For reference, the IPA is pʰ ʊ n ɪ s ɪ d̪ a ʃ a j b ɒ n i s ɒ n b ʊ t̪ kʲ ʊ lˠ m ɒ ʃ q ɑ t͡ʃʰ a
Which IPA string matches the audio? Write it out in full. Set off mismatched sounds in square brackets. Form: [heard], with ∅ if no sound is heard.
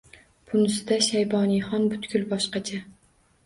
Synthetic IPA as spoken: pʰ ʊ n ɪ s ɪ d̪ a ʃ a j b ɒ n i [χ] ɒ n b ʊ t̪ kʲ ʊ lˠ [b] ɒ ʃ q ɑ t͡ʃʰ a